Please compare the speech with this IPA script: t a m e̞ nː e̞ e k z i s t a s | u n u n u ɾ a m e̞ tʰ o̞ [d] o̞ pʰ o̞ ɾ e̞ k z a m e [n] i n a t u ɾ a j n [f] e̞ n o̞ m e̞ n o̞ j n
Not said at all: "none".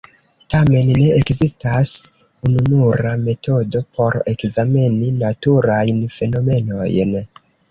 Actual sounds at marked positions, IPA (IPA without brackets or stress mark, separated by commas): d, n, f